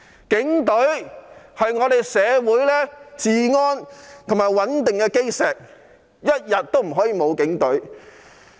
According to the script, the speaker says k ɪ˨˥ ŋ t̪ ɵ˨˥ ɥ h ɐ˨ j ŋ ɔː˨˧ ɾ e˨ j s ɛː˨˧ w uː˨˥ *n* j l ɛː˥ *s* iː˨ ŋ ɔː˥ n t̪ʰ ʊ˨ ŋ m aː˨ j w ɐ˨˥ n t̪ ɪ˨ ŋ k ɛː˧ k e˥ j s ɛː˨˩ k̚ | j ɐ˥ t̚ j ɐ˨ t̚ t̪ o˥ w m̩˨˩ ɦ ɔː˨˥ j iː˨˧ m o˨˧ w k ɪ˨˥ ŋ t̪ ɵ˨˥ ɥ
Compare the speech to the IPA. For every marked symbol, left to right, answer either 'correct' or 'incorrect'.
incorrect: none, incorrect: t͡s

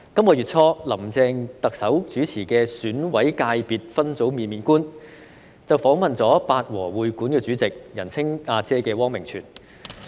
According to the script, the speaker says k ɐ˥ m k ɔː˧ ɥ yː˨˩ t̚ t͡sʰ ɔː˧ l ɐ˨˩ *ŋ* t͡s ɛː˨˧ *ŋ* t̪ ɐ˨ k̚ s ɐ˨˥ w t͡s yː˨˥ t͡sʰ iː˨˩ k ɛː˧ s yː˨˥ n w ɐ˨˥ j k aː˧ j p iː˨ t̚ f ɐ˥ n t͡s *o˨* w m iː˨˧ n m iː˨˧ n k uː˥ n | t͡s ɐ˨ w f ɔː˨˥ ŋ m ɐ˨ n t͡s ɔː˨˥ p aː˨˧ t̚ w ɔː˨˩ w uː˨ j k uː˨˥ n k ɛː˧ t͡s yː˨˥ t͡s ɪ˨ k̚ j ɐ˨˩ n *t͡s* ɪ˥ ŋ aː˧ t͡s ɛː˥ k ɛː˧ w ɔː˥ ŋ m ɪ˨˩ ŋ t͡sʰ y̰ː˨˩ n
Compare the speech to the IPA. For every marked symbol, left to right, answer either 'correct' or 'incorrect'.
incorrect: m, correct, incorrect: o˨˥, incorrect: t͡sʰ

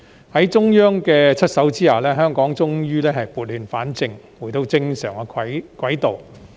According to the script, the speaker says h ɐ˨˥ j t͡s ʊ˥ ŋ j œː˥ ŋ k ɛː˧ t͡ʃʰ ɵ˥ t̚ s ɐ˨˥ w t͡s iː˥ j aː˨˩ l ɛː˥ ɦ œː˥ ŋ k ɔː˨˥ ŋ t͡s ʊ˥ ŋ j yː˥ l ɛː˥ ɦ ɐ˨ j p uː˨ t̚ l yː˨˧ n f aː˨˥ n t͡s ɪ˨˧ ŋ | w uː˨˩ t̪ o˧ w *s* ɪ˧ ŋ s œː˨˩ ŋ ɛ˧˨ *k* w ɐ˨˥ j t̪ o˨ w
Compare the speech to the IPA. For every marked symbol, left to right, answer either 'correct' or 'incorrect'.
incorrect: t͡s, correct

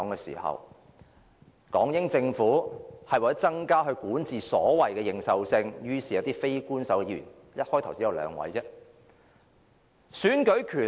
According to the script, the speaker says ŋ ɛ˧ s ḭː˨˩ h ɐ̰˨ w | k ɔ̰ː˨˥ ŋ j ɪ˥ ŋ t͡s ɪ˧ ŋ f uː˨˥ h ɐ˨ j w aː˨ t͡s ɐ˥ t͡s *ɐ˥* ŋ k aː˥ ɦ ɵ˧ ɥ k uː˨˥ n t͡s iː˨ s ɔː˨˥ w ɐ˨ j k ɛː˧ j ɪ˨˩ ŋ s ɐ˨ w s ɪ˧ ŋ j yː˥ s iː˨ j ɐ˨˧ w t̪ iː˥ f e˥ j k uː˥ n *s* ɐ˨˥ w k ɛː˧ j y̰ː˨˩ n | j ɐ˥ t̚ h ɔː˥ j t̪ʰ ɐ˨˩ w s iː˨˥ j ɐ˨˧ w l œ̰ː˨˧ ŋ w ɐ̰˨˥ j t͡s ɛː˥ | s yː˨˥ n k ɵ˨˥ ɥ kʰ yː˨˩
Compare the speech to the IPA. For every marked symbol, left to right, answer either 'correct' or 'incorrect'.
correct, correct

